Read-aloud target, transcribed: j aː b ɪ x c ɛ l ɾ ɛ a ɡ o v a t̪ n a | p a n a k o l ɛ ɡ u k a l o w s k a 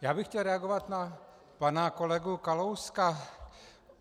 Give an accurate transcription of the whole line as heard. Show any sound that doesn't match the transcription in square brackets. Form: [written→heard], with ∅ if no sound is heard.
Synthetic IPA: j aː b ɪ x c ɛ l ɾ ɛ a ɡ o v a t̪ n a | p a n a k o l ɛ ɡ u k a l o w s k a